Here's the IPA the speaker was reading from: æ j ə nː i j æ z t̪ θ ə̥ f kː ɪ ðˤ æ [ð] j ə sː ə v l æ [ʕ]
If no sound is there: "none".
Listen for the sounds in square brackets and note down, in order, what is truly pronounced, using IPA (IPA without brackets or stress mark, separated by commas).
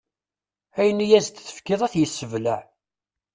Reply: θ, ʕ